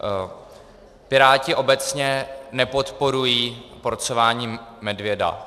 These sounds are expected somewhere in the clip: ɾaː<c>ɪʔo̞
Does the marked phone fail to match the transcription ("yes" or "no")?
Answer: no